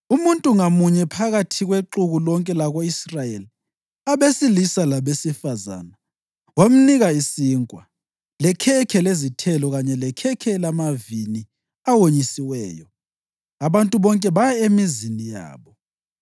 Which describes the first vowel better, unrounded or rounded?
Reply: rounded